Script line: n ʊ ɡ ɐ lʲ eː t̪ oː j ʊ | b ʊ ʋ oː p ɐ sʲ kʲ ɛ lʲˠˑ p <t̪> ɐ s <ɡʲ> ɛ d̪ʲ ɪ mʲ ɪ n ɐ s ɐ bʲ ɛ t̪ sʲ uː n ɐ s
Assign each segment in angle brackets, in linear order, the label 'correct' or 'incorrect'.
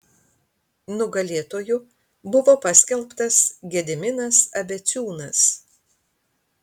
correct, correct

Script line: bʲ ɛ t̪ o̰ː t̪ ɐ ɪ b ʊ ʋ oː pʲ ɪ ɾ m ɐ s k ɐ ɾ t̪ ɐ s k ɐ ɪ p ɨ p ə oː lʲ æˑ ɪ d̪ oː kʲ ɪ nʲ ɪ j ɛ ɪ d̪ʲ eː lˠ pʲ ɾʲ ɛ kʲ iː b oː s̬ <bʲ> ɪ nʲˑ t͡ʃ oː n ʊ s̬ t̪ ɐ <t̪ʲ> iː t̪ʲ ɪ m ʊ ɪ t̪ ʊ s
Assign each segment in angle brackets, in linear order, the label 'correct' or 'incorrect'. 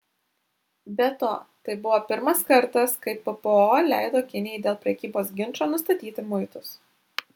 incorrect: ɡʲ, correct

